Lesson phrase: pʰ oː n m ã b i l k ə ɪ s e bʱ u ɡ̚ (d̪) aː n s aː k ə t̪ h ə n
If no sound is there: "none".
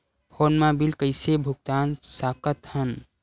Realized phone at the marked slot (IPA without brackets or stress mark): t̪